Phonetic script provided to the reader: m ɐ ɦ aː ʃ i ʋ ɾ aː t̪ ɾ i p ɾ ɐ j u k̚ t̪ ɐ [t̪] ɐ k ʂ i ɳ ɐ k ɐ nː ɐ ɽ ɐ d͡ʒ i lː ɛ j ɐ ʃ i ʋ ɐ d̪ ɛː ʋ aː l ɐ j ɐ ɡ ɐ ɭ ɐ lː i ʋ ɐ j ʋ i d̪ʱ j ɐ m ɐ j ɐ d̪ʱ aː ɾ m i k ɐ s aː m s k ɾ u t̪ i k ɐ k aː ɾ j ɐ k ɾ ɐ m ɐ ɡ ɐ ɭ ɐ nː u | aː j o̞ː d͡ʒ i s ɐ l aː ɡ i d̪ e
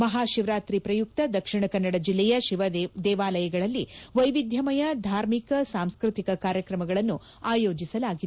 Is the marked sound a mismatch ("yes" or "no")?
yes